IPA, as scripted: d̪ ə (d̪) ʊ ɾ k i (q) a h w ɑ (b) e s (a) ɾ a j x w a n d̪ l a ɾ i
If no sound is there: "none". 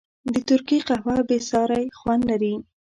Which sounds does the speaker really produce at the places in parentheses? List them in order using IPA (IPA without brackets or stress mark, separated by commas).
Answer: t̪, q, b, ɑ